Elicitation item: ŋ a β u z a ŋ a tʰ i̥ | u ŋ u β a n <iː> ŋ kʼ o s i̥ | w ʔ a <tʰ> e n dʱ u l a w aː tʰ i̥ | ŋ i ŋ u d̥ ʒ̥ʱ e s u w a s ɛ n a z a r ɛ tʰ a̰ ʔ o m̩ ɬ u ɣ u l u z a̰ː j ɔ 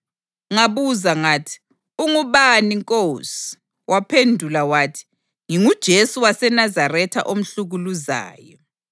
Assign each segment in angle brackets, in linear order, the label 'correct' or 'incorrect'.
incorrect, incorrect

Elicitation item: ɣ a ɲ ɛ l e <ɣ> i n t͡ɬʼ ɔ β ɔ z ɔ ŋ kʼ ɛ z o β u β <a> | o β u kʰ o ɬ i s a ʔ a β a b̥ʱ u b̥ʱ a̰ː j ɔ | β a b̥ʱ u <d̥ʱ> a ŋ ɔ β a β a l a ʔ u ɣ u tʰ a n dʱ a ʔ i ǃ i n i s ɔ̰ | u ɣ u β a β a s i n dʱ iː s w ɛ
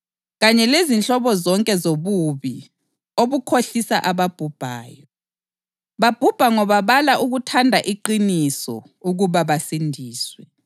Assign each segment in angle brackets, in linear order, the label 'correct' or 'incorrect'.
incorrect, incorrect, incorrect

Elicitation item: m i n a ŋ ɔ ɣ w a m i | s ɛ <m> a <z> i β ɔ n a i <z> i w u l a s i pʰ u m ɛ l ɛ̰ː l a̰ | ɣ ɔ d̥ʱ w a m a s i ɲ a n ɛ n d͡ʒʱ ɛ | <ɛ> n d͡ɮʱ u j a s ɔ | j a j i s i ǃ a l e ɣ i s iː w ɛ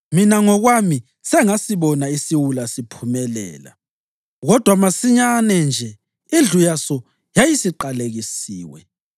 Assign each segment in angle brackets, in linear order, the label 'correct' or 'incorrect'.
incorrect, incorrect, incorrect, incorrect

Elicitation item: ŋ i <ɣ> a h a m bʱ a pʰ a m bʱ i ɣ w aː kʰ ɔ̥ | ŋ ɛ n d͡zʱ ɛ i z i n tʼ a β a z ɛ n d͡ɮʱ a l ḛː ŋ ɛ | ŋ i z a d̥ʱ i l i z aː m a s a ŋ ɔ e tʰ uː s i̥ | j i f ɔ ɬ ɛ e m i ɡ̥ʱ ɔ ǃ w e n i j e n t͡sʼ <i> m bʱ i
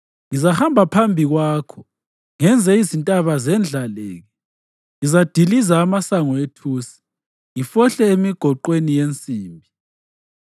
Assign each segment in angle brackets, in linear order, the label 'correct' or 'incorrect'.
incorrect, incorrect

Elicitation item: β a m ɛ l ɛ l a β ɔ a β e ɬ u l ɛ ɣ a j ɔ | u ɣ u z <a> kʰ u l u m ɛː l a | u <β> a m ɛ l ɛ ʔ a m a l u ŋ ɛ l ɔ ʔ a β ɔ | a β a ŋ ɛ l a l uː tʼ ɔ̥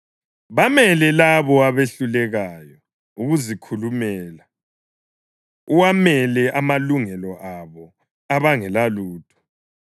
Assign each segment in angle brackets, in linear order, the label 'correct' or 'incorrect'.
incorrect, incorrect

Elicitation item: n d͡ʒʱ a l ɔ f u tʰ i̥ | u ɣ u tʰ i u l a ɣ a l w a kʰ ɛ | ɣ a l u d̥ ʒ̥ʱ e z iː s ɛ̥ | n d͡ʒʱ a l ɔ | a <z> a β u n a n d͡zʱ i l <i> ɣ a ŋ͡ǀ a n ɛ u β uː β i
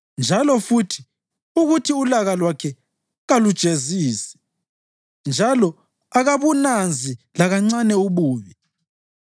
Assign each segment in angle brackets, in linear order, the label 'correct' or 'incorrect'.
incorrect, incorrect

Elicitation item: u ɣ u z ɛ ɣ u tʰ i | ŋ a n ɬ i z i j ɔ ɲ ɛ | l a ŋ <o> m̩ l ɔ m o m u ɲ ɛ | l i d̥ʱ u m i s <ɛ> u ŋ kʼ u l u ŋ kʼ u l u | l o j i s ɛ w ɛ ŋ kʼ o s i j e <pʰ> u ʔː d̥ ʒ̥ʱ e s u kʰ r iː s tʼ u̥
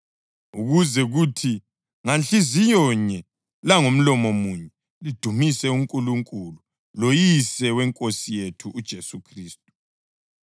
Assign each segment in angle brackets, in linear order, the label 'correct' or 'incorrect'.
correct, correct, incorrect

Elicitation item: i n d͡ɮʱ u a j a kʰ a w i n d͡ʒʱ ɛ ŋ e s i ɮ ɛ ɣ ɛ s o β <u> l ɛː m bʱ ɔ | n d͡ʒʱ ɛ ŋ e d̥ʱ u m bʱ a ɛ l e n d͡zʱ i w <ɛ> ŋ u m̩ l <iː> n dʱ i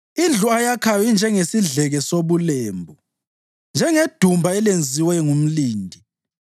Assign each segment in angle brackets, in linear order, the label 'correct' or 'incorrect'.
correct, correct, correct

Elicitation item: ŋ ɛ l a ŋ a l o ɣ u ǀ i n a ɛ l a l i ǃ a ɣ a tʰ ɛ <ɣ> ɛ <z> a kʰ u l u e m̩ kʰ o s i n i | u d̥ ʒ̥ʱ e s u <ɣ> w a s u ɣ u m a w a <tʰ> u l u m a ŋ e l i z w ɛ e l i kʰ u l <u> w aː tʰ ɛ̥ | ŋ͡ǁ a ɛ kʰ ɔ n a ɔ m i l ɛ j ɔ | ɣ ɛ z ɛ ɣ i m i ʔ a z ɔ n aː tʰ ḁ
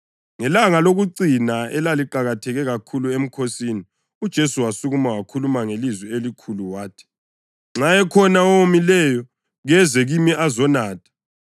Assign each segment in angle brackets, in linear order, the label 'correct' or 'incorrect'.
correct, incorrect, incorrect, incorrect, correct

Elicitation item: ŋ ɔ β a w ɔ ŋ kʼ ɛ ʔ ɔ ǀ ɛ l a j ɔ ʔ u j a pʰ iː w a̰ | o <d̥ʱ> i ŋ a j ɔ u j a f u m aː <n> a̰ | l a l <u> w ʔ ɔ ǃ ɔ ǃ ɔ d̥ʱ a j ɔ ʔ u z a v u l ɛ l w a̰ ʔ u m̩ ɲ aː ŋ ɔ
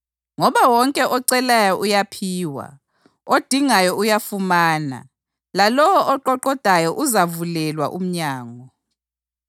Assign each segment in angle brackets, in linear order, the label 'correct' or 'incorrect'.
correct, correct, incorrect

